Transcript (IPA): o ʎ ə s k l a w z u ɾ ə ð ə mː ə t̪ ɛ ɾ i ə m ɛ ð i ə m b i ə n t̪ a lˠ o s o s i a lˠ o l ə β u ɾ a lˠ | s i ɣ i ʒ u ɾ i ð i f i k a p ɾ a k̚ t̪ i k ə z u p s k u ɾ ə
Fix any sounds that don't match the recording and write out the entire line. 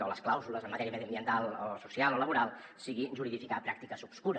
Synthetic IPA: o l ə s k l a w z u l ə z ə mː ə t̪ ɛ ɾ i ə m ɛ ð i ə m b i ə n t̪ a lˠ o s u s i a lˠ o l ə β u ɾ a lˠ | s i ɣ i ʒ u ɾ i ð i f i k a p ɾ a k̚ t̪ i k ə z u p s k u ɾ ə